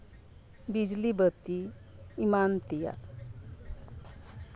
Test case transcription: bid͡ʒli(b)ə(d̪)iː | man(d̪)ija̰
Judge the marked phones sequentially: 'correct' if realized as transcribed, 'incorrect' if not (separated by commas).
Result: correct, incorrect, incorrect